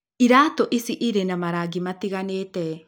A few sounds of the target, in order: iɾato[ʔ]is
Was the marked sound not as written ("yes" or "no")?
no